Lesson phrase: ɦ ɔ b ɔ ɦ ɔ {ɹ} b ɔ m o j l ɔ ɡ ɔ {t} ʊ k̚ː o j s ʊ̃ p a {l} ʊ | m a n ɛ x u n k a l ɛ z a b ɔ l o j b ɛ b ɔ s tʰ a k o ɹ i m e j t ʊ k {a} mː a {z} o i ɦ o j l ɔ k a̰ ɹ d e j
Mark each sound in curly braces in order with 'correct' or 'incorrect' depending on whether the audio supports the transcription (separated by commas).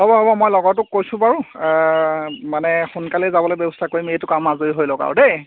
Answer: incorrect, correct, incorrect, correct, correct